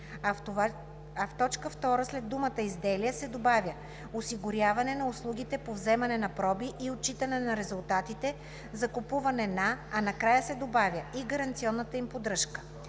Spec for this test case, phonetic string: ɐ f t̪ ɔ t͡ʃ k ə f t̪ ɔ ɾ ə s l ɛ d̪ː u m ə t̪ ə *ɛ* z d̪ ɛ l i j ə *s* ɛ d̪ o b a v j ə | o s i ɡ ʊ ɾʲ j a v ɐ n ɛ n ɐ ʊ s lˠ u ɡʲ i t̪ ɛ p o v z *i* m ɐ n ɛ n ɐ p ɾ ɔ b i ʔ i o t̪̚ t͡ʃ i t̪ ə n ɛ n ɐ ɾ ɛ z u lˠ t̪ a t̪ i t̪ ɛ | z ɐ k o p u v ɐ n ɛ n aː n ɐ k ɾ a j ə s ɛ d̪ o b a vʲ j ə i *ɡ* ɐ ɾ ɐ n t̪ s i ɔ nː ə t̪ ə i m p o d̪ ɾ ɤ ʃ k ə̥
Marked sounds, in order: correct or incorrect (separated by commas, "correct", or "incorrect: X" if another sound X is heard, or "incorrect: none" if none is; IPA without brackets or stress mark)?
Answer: incorrect: i, correct, incorrect: ɛ, correct